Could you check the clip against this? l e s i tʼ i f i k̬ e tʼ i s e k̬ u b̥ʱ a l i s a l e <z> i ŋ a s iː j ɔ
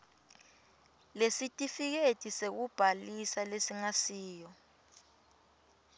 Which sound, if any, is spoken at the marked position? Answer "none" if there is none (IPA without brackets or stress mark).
s